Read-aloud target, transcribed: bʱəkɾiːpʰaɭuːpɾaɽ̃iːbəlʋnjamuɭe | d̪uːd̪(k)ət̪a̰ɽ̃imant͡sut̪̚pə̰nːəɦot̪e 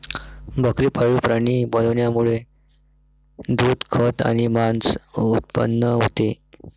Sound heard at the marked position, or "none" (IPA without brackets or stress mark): kʰ